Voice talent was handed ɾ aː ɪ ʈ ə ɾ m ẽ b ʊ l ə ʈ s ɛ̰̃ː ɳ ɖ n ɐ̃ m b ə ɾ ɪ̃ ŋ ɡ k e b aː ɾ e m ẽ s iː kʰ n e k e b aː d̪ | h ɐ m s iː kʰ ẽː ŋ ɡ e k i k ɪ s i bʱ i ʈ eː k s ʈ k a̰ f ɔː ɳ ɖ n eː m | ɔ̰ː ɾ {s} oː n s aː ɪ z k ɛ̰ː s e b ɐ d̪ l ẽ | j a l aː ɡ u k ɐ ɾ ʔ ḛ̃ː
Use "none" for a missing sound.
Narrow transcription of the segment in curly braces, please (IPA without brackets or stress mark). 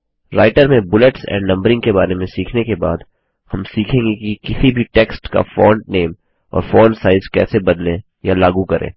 f